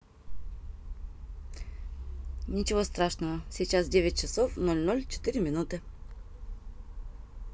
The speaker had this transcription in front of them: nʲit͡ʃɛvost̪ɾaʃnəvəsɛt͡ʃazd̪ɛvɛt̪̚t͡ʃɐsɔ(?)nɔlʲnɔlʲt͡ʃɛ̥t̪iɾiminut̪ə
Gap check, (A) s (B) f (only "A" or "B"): B